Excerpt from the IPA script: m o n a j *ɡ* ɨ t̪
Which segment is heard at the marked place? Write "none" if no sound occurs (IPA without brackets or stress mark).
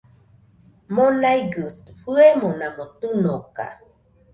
ɡ